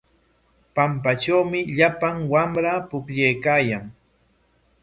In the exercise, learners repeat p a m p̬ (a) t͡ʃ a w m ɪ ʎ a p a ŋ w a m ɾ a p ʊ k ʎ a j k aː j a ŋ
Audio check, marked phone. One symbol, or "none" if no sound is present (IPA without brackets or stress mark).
a